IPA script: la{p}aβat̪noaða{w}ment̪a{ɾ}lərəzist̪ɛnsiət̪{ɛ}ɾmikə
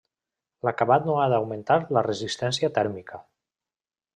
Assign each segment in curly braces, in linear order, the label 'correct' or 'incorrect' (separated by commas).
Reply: incorrect, correct, correct, correct